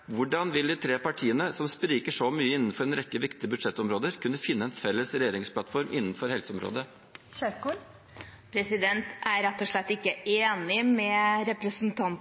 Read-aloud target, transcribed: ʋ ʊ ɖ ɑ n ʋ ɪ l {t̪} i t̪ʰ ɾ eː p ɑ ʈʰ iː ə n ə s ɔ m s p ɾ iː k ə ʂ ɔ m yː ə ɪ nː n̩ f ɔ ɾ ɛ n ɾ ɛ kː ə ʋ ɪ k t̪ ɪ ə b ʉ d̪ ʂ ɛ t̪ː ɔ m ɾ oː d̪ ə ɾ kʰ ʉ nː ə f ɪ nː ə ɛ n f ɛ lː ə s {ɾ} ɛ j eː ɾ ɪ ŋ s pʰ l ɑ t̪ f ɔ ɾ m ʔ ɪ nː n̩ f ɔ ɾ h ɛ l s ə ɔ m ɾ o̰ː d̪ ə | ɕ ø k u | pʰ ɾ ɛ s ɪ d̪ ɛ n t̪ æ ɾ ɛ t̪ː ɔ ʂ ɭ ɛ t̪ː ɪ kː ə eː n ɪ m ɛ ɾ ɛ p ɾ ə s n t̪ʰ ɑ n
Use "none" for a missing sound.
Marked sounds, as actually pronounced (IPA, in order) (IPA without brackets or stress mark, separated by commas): d̪, ɾ